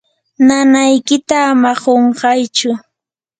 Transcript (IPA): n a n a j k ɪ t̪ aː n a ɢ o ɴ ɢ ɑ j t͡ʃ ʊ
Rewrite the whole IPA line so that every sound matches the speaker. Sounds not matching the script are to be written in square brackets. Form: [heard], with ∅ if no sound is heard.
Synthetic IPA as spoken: n a n a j k ɪ t̪ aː [m] a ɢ o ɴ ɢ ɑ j t͡ʃ ʊ